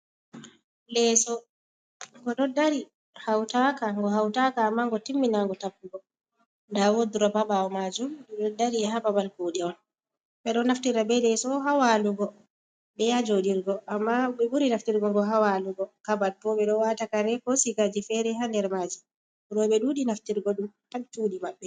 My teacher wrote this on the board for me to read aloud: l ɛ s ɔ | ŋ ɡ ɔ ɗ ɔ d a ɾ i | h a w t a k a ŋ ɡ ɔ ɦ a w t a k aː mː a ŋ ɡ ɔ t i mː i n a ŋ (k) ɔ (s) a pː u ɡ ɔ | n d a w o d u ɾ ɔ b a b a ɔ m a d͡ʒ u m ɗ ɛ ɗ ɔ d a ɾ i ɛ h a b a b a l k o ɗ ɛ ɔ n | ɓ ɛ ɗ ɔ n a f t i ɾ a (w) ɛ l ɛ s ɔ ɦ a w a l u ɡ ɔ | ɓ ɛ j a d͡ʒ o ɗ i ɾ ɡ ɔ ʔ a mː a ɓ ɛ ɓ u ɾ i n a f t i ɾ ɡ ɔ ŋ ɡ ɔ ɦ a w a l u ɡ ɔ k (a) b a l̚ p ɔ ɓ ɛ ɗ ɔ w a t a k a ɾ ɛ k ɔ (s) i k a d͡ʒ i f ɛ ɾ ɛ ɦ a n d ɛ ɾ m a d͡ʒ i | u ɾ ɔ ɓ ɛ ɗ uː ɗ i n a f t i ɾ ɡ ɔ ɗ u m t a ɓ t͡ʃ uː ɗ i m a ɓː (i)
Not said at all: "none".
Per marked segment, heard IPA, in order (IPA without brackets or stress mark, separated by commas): ɡ, t, b, a, s, ɛ